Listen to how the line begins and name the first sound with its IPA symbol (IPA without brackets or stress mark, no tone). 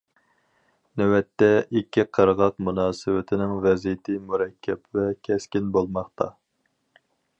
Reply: n